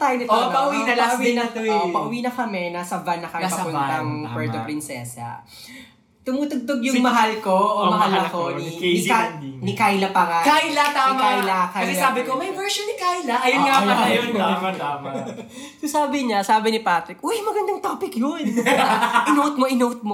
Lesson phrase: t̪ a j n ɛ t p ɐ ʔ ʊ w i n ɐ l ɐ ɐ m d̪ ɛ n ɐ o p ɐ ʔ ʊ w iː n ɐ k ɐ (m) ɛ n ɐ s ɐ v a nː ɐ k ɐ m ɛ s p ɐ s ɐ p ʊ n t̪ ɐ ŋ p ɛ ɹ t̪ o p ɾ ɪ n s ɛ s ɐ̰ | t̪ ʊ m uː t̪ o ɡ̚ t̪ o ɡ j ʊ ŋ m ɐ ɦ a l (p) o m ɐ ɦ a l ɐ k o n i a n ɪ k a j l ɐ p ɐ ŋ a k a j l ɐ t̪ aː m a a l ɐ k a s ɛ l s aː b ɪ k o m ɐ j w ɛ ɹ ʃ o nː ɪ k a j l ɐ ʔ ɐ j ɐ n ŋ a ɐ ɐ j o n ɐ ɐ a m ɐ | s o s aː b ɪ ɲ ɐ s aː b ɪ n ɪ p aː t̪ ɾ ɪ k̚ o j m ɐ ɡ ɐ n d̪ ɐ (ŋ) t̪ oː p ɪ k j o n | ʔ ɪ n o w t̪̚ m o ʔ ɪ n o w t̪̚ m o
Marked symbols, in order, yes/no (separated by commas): yes, no, yes